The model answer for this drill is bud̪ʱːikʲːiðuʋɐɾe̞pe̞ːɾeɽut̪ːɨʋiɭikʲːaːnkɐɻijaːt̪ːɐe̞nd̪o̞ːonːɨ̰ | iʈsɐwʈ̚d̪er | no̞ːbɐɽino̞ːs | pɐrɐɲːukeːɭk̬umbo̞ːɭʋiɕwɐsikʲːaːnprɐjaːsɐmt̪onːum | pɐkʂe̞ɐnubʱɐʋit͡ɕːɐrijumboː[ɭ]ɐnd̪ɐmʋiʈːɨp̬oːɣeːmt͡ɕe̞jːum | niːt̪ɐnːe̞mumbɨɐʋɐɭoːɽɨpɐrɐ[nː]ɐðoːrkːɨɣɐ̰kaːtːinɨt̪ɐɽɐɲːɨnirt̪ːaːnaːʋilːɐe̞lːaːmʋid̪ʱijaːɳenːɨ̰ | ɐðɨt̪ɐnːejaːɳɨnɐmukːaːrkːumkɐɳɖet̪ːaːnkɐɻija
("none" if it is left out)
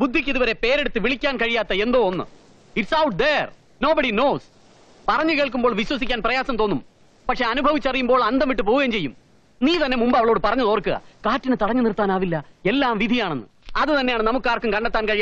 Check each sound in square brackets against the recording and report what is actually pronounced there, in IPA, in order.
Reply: ɭ, ɲː

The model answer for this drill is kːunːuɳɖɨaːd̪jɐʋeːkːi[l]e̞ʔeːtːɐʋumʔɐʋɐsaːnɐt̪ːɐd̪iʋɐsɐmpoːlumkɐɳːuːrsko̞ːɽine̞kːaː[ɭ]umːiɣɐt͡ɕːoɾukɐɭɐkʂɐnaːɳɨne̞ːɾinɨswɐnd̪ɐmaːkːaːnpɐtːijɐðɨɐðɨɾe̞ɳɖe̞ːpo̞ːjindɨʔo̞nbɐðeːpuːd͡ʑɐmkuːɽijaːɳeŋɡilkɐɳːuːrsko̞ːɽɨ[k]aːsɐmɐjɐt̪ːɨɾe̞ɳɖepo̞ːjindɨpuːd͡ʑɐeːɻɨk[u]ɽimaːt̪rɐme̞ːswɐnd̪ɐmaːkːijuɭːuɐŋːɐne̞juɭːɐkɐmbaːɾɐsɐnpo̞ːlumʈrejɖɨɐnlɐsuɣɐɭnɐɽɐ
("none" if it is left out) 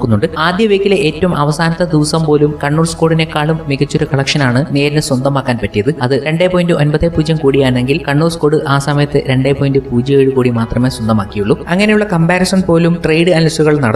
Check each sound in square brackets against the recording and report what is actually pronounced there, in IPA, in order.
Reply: l, ɭ, ʔ, uː

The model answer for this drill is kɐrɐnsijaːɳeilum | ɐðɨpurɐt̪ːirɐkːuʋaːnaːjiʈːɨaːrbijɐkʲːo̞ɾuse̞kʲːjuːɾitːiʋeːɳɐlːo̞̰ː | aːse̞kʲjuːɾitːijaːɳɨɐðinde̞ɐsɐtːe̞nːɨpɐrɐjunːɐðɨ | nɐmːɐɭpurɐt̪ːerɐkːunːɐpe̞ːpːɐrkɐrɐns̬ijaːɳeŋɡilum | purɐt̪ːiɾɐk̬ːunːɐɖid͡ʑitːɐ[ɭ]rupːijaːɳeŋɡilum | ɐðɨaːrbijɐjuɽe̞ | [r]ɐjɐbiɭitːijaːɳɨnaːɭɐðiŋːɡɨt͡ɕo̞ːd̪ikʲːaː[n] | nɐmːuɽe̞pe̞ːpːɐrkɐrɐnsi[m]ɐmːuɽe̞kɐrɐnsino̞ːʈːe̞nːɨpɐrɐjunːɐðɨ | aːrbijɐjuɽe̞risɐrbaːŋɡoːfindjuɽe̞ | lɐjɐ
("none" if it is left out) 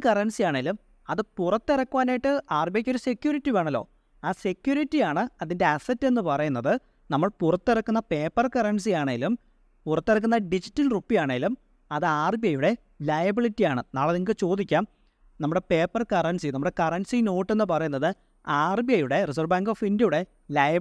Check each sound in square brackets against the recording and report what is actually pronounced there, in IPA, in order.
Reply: l, l, m, n

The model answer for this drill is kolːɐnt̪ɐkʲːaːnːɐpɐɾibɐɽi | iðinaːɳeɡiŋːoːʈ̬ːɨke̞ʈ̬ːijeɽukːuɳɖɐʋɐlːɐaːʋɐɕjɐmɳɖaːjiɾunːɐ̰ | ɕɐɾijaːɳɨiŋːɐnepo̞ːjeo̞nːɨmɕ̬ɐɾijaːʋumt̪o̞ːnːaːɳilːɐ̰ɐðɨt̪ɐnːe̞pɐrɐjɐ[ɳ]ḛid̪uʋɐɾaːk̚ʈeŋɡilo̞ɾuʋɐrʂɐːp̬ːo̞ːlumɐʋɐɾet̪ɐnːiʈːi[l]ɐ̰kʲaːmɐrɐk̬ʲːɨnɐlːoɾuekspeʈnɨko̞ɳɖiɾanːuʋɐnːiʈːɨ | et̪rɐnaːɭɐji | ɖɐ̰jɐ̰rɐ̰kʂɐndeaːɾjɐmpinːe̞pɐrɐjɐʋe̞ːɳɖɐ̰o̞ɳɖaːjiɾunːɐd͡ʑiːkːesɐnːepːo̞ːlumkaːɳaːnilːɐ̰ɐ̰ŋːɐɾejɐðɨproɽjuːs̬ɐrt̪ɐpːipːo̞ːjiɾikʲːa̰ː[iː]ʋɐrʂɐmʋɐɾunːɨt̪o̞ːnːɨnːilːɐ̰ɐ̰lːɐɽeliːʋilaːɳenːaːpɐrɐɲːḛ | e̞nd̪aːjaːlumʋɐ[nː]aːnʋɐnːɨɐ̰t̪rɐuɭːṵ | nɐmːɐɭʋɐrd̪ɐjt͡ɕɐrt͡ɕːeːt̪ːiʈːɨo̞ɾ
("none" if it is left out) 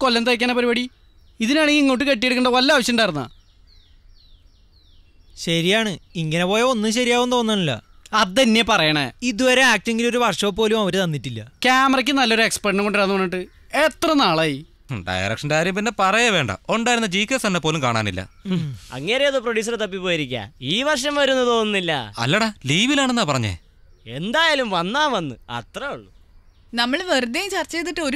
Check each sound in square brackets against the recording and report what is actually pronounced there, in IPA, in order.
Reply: ɳ, lː, iː, nː

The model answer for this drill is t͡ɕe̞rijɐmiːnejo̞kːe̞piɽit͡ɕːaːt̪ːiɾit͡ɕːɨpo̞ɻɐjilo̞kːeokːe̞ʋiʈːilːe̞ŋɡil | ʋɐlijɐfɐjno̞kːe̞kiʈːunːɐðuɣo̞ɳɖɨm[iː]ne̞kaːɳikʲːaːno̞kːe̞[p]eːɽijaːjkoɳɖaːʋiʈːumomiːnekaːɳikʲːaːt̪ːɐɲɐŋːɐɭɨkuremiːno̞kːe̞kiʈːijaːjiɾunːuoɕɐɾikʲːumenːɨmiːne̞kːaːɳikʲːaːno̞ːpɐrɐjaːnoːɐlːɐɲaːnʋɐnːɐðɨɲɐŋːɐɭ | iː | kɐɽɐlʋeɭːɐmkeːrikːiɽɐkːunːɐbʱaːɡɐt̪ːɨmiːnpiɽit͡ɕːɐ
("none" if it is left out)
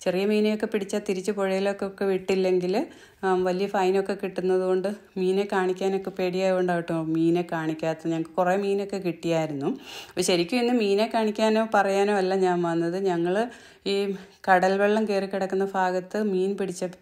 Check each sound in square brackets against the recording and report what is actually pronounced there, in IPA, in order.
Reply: iː, p

